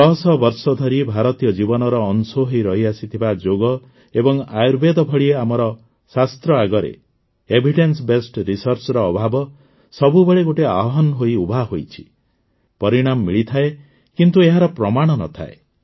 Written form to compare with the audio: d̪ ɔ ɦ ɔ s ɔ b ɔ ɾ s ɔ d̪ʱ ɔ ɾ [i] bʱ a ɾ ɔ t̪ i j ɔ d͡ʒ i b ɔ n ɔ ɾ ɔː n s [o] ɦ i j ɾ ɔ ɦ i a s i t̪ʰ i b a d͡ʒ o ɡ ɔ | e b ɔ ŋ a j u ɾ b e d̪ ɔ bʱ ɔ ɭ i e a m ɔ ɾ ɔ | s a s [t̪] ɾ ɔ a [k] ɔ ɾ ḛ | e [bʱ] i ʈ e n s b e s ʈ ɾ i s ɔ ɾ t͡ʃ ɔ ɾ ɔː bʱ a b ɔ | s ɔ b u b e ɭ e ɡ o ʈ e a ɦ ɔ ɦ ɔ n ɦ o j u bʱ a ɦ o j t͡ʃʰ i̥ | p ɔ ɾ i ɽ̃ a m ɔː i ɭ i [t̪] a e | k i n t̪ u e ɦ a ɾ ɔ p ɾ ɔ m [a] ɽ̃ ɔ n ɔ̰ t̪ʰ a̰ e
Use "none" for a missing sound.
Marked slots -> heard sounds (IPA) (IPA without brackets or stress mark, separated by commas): i, o, t̪, ɡ, bʱ, t̪ʰ, a